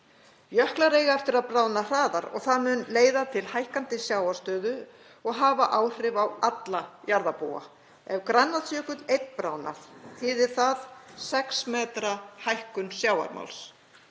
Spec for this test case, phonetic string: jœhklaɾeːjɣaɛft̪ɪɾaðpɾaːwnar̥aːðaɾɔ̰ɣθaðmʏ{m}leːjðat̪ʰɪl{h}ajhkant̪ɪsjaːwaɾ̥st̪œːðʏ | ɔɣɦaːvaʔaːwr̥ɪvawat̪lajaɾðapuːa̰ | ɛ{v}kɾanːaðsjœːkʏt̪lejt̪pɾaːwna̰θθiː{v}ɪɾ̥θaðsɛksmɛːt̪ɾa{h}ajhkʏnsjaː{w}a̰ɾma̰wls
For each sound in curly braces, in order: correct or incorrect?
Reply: incorrect: n, correct, correct, incorrect: ð, correct, correct

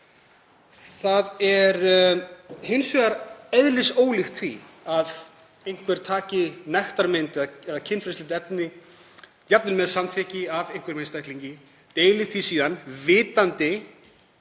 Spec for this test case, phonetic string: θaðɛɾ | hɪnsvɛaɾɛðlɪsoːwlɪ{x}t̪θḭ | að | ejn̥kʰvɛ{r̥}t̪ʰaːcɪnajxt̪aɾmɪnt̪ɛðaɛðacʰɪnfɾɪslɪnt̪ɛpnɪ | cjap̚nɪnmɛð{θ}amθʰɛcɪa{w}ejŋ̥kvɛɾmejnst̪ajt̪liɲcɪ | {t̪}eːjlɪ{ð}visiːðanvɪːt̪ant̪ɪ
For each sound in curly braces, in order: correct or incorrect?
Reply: correct, incorrect: ɾ̥, incorrect: s, incorrect: v, correct, incorrect: θ

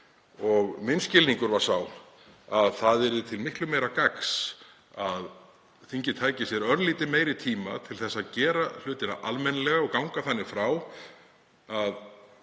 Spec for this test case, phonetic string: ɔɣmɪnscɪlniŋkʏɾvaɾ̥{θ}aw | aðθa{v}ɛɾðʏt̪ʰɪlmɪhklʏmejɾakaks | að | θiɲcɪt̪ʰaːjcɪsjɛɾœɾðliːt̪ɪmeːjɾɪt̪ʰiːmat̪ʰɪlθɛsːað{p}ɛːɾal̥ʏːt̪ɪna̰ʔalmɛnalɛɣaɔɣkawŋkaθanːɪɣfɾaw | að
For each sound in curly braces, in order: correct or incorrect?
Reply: incorrect: s, incorrect: ð, incorrect: c

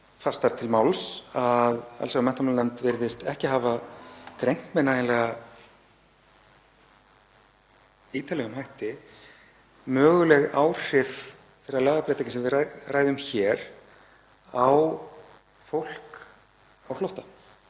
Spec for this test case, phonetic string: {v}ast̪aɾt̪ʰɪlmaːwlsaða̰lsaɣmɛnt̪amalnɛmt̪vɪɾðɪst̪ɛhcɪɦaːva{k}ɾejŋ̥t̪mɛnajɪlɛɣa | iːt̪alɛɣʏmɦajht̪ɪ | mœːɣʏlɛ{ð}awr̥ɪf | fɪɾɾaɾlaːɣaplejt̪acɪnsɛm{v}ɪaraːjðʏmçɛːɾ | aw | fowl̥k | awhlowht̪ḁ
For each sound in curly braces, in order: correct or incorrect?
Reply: incorrect: f, correct, incorrect: ɣ, correct

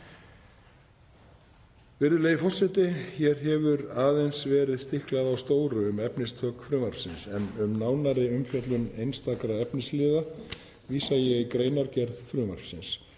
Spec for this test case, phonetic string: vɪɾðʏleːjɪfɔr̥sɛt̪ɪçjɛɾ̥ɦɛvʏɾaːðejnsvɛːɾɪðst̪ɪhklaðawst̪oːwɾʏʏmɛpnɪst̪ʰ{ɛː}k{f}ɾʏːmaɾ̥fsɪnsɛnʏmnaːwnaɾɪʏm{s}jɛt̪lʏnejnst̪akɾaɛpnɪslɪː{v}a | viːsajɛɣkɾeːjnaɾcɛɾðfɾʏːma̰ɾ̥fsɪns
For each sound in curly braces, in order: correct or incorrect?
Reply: incorrect: œː, correct, incorrect: f, incorrect: ð

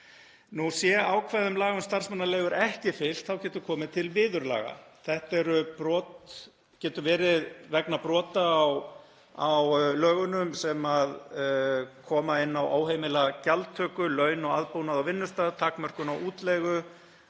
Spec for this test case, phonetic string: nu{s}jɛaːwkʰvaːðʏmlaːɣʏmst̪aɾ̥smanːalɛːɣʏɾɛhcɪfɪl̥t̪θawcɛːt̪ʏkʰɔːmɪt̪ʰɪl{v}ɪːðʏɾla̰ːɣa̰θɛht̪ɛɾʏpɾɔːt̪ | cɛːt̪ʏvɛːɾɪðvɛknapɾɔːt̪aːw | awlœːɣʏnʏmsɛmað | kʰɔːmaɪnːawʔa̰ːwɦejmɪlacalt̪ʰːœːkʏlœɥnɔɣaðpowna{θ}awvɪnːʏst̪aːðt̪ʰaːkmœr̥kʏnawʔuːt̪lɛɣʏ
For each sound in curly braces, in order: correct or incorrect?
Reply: correct, correct, incorrect: ð

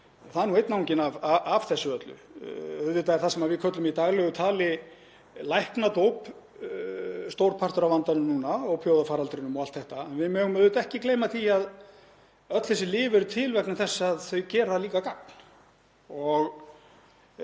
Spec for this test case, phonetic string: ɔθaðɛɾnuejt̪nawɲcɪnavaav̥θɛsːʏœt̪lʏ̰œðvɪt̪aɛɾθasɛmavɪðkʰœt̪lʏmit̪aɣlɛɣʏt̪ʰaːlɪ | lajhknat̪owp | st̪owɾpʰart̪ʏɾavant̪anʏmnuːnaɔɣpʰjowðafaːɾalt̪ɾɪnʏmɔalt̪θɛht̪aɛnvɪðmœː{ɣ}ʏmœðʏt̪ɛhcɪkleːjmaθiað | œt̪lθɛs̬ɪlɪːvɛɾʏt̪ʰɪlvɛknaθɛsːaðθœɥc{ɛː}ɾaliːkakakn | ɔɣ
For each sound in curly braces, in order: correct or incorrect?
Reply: correct, correct

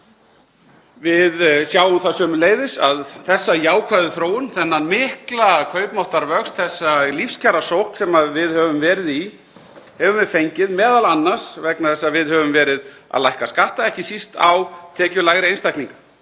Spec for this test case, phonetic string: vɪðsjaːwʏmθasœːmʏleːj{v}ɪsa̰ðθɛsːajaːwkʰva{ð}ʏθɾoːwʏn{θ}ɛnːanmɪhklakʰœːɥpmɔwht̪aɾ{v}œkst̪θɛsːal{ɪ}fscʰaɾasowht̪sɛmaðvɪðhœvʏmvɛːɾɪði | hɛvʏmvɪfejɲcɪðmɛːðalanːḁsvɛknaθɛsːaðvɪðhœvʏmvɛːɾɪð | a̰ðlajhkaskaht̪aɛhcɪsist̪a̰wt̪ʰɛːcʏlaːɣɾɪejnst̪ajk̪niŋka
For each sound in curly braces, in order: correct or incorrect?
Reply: incorrect: ð, correct, correct, correct, incorrect: i

